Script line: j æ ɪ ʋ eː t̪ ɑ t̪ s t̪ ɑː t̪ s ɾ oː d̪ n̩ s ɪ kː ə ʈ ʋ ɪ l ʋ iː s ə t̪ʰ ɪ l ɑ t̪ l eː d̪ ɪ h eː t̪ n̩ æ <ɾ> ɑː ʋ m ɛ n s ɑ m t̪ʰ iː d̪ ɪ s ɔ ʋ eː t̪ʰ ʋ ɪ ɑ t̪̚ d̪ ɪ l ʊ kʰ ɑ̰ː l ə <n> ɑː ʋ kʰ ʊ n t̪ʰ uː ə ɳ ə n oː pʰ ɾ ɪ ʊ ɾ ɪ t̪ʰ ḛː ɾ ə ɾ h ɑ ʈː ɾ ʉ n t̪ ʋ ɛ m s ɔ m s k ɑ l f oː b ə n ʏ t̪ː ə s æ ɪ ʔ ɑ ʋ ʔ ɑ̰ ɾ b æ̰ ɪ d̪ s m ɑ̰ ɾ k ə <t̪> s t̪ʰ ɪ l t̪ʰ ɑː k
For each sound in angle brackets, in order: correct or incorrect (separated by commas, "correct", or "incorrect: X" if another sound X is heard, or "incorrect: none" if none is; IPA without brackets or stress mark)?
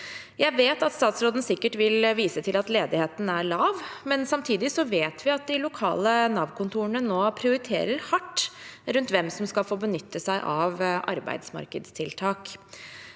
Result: incorrect: ɭ, correct, incorrect: d̪